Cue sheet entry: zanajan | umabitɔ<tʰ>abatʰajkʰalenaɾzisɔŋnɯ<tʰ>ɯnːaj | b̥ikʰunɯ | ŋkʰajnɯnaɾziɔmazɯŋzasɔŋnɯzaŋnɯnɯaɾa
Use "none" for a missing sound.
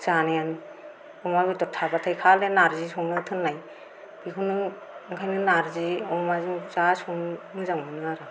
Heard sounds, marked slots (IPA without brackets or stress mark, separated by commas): tʰ, tʰ